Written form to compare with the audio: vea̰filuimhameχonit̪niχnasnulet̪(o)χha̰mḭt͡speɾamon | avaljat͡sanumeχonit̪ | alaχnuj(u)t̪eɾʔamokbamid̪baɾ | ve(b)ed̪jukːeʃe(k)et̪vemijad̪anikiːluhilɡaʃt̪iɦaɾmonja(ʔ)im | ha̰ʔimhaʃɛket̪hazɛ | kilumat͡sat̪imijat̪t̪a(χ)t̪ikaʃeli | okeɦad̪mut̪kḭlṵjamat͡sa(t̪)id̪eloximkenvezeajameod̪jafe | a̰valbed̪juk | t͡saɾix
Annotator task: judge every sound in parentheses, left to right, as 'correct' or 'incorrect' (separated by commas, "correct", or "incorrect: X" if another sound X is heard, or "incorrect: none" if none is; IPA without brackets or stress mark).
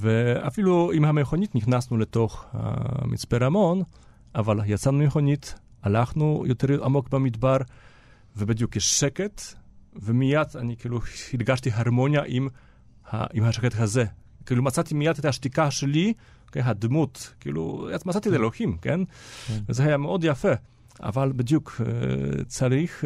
correct, incorrect: o, correct, correct, correct, incorrect: ʃ, correct